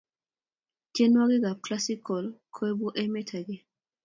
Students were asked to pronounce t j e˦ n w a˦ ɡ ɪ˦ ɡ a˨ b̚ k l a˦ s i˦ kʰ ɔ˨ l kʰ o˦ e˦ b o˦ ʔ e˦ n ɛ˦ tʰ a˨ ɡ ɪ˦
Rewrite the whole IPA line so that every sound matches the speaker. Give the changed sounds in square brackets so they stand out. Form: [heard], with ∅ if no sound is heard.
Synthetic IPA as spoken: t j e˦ n w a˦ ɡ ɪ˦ ɡ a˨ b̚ k l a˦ s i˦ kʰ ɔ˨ l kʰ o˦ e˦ b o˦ ʔ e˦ [m] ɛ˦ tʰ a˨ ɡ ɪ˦